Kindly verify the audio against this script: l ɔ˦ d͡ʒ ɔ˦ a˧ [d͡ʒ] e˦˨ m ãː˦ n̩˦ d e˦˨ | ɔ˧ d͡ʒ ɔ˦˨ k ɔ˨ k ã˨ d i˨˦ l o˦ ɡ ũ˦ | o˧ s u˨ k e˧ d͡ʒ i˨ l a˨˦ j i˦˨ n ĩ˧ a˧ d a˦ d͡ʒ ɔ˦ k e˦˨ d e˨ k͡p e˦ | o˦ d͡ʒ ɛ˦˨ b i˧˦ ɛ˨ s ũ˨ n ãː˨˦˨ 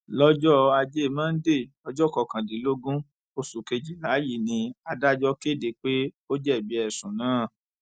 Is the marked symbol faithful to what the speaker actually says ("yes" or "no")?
yes